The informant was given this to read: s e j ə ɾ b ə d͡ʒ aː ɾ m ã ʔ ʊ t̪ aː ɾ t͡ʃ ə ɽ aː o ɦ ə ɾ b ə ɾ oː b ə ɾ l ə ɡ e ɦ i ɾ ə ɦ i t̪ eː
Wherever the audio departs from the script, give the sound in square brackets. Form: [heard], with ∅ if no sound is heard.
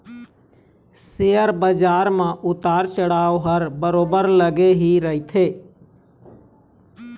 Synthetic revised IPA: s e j ə ɾ b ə d͡ʒ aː ɾ m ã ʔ ʊ t̪ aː ɾ t͡ʃ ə ɽ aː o ɦ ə ɾ b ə ɾ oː b ə ɾ l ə ɡ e ɦ i ɾ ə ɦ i [t̪ʰ] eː